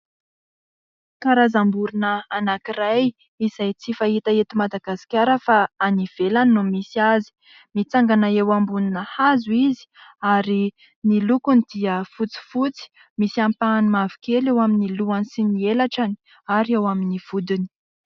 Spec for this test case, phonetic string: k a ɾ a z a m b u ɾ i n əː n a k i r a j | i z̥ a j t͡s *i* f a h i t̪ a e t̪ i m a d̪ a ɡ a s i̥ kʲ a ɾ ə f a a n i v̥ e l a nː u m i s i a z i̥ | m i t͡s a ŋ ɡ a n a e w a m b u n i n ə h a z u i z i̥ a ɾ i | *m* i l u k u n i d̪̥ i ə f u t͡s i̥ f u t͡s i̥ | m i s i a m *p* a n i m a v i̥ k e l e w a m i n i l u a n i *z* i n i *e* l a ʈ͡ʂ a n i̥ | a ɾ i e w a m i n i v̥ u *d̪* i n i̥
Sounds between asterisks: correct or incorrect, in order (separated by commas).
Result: correct, incorrect, correct, incorrect, correct, correct